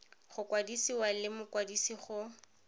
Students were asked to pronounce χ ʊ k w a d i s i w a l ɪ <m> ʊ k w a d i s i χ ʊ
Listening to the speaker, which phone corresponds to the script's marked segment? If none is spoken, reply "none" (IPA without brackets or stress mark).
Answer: m